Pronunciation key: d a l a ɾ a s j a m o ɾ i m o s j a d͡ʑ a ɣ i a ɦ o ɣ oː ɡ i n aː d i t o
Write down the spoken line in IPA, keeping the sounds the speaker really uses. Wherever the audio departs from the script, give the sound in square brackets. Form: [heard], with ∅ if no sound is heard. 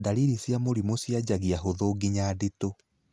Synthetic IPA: d a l [i] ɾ [i] s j a m o ɾ i m o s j a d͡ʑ a ɣ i a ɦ o [ð] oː ɡ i [ɲ] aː d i t o